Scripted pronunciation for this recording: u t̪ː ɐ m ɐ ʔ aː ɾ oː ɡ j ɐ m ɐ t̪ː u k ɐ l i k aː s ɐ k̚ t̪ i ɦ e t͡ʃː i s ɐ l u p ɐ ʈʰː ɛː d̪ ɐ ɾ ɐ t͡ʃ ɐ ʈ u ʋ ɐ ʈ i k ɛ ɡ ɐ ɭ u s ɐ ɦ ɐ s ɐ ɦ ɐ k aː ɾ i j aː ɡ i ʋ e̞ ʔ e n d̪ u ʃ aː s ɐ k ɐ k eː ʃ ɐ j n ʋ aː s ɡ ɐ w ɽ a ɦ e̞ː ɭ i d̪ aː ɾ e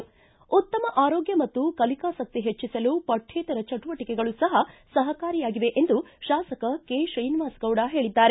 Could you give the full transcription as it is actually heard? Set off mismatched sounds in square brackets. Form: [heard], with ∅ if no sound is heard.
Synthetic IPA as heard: u t̪ː ɐ m ɐ ʔ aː ɾ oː ɡ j ɐ m ɐ t̪ː u k ɐ l i k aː s ɐ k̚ t̪ i ɦ e t͡ʃː i s ɐ l u p ɐ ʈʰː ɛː [t̪] ɐ ɾ ɐ t͡ʃ ɐ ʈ u ʋ ɐ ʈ i k ɛ ɡ ɐ ɭ u s ɐ ɦ ɐ s ɐ ɦ ɐ k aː ɾ i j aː ɡ i ʋ e̞ ʔ e n d̪ u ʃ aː s ɐ k ɐ k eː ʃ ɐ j n ʋ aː s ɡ ɐ w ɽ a ɦ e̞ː ɭ i [d̪ː] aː ɾ e